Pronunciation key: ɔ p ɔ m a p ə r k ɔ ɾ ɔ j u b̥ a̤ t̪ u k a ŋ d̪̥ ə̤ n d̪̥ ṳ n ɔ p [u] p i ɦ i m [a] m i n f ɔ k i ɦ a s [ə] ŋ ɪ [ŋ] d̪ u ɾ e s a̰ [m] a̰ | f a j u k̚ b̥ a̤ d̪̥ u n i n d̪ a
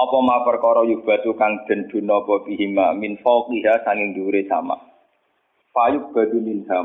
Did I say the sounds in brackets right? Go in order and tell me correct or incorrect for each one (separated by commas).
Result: incorrect, correct, incorrect, correct, correct